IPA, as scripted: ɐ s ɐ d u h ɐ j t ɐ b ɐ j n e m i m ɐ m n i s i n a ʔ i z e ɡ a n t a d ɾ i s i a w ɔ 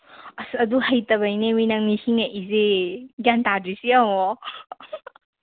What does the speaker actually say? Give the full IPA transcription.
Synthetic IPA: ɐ s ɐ d u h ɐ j t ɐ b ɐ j n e m i n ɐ ŋ n i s i ŋ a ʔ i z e ɡ a n t a d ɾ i s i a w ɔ